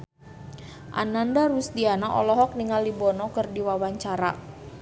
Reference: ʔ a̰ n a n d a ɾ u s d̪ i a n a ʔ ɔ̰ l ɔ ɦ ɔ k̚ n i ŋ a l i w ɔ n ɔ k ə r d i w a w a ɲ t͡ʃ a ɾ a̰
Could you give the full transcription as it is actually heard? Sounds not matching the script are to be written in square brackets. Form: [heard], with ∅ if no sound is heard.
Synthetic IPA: ʔ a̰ n a n d a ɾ u s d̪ i a n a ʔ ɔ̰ l ɔ ɦ ɔ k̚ n i ŋ a l i [b] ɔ n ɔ k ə r d i w a w a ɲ t͡ʃ a ɾ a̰